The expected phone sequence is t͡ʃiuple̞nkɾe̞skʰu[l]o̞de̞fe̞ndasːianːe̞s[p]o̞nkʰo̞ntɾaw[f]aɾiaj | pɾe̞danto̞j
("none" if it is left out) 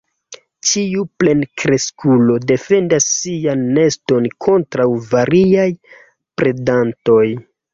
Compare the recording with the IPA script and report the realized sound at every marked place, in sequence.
l, t, v

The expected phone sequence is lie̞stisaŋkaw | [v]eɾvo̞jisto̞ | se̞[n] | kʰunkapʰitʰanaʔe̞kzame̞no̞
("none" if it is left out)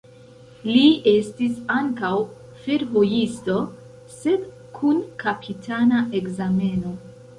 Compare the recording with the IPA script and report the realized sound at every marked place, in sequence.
f, d

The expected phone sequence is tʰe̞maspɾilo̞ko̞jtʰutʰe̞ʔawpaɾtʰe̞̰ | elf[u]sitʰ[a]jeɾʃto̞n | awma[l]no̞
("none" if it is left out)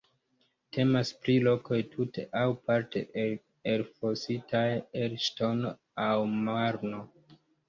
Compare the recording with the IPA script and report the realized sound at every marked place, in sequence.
o, a, ɾ

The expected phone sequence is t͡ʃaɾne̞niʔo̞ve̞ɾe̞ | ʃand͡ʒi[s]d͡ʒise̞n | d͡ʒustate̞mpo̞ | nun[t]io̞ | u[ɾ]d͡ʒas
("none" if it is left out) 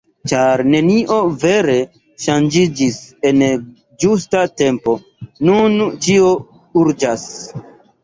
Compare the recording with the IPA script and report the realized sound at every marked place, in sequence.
none, t͡ʃ, ɾ

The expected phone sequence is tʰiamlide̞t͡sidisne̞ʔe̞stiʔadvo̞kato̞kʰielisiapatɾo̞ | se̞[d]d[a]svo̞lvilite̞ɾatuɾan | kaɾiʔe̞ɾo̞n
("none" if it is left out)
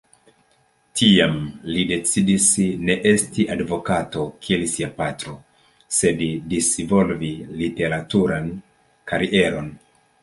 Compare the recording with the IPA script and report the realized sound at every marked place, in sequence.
d, i

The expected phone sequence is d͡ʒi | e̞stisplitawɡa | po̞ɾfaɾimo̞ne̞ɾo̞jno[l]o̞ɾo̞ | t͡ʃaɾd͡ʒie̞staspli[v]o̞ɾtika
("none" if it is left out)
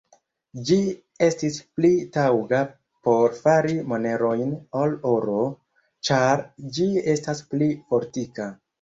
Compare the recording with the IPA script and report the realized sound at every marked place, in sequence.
l, f

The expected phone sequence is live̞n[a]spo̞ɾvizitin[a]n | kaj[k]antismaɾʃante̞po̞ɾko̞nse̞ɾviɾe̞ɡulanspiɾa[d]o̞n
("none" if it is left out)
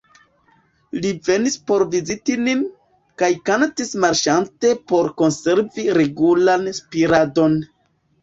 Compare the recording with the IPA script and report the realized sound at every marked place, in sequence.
i, i, k, d

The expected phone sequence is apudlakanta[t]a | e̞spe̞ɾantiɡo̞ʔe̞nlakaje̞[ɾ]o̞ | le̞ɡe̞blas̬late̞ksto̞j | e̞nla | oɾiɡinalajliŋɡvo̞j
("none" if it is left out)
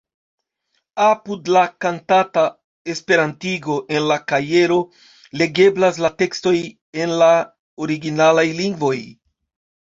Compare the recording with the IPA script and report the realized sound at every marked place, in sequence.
t, ɾ

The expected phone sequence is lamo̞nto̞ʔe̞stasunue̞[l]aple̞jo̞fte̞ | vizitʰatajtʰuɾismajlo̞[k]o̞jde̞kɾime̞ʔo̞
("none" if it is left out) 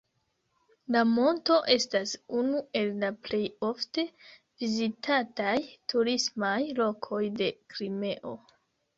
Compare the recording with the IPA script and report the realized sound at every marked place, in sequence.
lː, kʰ

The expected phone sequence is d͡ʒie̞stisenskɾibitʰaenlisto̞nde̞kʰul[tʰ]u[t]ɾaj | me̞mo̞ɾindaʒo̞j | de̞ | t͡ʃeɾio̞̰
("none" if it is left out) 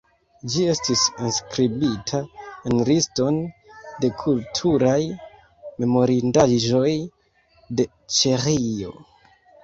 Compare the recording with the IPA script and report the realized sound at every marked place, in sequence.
tʰ, none

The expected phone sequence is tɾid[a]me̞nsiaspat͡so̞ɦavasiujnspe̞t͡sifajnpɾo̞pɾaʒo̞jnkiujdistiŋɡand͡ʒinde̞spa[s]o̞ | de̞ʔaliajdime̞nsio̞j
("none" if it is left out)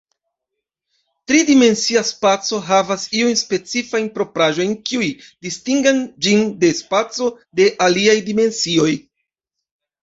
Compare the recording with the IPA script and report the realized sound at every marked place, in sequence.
i, t͡s

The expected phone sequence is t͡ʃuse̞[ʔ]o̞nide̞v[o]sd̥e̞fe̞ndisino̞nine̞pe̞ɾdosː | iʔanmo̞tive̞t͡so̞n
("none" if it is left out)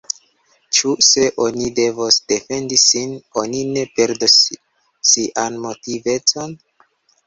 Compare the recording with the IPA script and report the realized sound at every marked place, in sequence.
ʔ, o

